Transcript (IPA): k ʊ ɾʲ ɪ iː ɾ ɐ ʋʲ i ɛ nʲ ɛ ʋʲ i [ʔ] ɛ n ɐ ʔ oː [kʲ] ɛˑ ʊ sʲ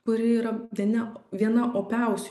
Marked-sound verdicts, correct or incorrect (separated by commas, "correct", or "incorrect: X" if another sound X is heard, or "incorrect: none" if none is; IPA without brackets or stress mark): incorrect: none, incorrect: pʲ